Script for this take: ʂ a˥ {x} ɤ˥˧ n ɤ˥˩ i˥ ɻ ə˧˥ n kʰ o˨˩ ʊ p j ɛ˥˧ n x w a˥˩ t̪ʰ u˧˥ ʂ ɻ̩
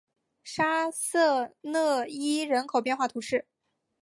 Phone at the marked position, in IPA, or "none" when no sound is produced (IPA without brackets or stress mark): s